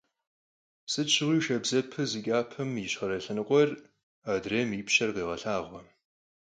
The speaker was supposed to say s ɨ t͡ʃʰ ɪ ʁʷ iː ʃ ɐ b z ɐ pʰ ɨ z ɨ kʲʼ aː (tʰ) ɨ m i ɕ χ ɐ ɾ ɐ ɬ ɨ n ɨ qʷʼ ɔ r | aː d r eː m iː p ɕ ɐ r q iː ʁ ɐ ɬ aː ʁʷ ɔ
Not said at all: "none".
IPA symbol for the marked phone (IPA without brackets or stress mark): pʰ